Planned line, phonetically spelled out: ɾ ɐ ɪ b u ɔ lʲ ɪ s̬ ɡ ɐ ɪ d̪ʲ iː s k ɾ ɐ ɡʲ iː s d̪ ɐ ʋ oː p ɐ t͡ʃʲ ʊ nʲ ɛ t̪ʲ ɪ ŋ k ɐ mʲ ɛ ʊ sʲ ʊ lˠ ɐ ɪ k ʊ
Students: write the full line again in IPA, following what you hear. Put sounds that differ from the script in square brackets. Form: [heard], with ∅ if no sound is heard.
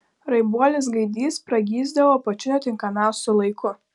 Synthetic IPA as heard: ɾ ɐ ɪ b u ɔ lʲ ɪ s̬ ɡ ɐ ɪ d̪ʲ iː s [p] ɾ ɐ ɡʲ iː [z] d̪ ɐ ʋ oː p ɐ t͡ʃʲ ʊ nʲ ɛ t̪ʲ ɪ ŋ k ɐ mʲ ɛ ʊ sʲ ʊ lˠ ɐ ɪ k ʊ